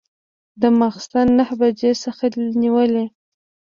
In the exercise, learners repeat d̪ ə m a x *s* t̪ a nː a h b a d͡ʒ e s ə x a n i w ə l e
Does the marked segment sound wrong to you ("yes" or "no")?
no